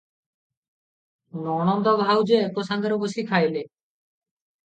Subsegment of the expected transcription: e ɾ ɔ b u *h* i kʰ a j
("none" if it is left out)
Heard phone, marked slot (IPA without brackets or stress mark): s